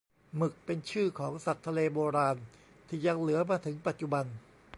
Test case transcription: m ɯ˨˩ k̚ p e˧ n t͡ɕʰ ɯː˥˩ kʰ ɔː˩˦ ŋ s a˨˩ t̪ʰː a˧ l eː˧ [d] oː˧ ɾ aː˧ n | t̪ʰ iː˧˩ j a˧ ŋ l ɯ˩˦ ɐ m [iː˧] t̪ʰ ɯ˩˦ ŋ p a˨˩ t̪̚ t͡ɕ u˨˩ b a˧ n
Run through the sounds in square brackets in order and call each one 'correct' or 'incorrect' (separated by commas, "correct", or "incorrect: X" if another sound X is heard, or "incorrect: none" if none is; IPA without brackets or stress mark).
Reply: incorrect: b, incorrect: aː˧